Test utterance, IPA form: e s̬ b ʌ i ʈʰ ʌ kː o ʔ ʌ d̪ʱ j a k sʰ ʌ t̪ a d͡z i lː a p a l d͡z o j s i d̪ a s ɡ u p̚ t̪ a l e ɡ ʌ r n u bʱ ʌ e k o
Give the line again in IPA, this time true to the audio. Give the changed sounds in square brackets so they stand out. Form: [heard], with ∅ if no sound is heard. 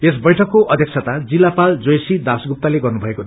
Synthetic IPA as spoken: e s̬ b ʌ [j] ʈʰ ʌ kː o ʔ ʌ d̪ʱ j [ʌ] k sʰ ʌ t̪ a d͡z i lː a p a l d͡z o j s i d̪ a s ɡ u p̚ t̪ a l e ɡ ʌ r n u bʱ ʌ e k o